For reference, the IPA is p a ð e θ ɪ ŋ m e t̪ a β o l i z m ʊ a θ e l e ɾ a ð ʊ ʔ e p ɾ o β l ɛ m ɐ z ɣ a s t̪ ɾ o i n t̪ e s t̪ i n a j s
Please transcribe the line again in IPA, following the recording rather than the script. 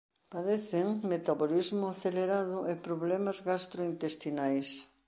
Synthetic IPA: p a ð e θ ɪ ŋ m e t̪ a β o l i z m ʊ a θ e l e ɾ a ð ʊ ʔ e p ɾ o β l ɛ m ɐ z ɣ a s t̪ ɾ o i n t̪ e s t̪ i n a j s